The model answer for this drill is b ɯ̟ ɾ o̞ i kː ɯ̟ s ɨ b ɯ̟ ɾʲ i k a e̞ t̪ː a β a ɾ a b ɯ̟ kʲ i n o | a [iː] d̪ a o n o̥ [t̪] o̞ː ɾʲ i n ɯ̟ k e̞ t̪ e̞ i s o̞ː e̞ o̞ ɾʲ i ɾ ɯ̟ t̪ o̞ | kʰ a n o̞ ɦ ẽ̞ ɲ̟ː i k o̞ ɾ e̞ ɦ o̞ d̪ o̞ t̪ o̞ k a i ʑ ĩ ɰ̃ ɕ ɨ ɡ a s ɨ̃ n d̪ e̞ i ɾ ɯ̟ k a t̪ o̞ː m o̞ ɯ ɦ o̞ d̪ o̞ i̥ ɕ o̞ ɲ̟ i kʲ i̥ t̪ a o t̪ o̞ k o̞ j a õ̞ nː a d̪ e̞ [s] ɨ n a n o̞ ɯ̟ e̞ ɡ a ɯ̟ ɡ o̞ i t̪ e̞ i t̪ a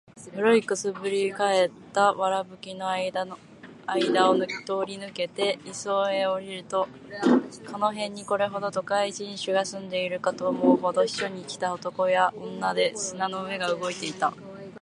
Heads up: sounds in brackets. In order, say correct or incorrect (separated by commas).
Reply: incorrect, correct, correct